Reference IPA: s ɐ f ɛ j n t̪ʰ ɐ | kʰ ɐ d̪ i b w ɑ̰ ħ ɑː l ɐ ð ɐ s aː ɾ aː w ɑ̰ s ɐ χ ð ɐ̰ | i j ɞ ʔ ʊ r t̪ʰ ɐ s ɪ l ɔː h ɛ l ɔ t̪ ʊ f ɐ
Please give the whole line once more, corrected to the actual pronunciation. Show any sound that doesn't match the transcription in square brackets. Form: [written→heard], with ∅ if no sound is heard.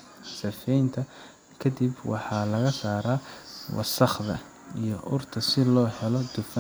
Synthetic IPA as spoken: s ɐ f ɛ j n t̪ʰ ɐ | kʰ ɐ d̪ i b w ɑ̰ ħ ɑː l ɐ [ð→ɣ] ɐ s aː ɾ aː w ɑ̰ s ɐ χ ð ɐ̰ | i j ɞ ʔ ʊ r t̪ʰ ɐ s ɪ l ɔː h ɛ l ɔ [t̪→d̪] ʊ f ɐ